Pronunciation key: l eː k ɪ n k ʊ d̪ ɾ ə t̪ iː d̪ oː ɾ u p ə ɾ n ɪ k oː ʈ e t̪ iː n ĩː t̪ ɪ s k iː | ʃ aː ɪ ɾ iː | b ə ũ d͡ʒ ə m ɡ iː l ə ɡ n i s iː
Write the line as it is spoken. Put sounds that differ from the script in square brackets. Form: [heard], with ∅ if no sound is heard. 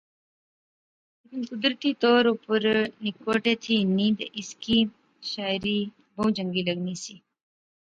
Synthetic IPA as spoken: l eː k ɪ n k ʊ d̪ ɾ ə t̪ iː [t̪] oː ɾ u p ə ɾ n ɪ k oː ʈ e [t̪ʰ] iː n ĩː [d̪] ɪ s k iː | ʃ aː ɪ ɾ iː | b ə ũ d͡ʒ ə [ŋ] ɡ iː l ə ɡ n i s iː